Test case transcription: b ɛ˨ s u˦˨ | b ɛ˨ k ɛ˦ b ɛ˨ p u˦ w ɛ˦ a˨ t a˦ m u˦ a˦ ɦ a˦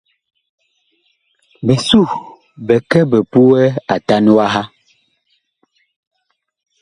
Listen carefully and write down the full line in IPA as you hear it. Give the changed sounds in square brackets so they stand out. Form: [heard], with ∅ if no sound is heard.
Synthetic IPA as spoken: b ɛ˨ s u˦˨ | b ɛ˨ k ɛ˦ b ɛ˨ p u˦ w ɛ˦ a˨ t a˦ [n] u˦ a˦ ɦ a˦

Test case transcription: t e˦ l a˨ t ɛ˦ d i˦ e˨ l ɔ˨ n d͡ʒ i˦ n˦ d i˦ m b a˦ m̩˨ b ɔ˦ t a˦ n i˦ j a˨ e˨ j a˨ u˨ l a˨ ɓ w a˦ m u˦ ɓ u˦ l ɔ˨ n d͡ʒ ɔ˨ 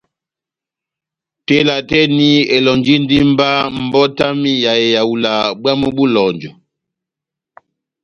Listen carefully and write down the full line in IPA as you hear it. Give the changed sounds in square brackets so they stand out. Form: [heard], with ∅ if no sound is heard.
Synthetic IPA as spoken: t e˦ l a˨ t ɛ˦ [n] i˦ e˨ l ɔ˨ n d͡ʒ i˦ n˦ d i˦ m b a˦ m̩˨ b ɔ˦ t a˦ [m] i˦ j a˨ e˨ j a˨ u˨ l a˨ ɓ w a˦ m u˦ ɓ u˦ l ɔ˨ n d͡ʒ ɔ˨

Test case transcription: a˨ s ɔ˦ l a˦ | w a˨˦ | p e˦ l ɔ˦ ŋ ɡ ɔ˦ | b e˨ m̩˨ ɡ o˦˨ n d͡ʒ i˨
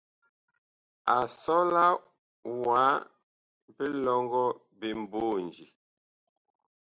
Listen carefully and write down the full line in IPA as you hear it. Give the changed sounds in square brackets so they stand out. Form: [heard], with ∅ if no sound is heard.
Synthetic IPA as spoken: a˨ s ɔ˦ l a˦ | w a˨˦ | p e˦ l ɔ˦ ŋ ɡ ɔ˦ | b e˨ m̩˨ [b] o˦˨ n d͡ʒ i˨

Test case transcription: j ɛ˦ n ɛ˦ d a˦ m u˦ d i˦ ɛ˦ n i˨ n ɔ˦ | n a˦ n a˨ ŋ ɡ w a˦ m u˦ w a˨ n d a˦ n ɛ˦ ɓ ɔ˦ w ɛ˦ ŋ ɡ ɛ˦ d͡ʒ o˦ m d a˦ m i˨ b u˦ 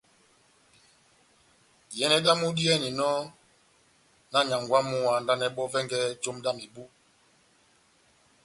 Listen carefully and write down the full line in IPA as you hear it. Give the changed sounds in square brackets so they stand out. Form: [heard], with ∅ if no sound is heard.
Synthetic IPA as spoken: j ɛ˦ n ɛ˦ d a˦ m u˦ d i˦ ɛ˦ n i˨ n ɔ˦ | n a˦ [ɲ] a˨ ŋ ɡ w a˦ m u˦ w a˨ n d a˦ n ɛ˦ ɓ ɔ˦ [v] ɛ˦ ŋ ɡ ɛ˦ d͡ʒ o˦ m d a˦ m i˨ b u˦

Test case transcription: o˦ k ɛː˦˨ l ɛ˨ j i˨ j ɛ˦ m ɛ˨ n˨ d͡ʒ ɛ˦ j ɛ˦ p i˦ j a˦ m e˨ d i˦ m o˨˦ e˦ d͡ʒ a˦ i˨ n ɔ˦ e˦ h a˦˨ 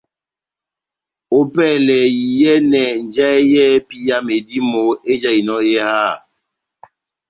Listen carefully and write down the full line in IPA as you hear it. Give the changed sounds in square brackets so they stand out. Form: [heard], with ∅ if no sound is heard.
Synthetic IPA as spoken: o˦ [p] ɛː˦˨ l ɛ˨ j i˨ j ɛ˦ [n] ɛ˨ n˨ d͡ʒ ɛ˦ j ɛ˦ p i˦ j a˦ m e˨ d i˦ m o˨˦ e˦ d͡ʒ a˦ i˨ n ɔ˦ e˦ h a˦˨

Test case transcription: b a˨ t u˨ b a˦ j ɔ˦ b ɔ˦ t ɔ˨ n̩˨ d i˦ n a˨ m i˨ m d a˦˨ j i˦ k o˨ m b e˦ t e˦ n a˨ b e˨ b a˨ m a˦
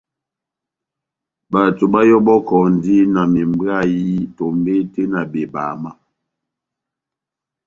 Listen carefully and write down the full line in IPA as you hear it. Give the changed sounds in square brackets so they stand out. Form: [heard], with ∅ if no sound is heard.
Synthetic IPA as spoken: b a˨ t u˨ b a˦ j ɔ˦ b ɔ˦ [k] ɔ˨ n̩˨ d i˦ n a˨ m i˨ m [b] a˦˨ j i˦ [t] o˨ m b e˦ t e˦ n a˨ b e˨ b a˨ m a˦

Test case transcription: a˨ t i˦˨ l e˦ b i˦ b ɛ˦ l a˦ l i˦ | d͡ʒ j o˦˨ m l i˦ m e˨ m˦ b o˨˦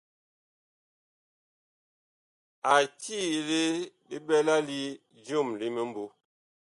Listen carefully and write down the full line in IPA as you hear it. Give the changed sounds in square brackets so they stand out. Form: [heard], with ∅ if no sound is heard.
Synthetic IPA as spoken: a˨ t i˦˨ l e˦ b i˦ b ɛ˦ l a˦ l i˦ | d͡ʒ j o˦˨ m l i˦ m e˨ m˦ b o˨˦

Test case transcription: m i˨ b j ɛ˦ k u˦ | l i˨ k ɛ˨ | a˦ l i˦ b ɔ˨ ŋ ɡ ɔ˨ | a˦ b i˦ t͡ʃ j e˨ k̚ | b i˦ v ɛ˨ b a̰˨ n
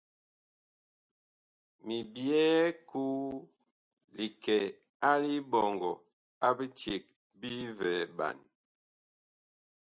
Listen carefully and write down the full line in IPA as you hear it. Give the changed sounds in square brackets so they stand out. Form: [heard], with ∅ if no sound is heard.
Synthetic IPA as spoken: m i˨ b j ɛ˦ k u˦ | l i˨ k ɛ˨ | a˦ l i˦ b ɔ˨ ŋ ɡ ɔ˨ | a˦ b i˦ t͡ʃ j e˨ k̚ | b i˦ v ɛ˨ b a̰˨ n

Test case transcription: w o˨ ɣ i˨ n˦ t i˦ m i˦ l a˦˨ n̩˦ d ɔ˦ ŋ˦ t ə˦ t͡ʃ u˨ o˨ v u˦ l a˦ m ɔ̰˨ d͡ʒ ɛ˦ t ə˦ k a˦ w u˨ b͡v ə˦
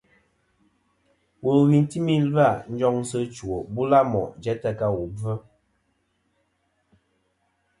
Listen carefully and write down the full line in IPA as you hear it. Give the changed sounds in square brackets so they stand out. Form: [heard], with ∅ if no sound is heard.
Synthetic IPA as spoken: w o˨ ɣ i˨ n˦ t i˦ m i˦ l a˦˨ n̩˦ [d͡ʒ] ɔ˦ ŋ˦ [s] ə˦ t͡ʃ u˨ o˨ [b] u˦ l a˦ m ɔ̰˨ d͡ʒ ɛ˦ t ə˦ k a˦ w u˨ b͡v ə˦

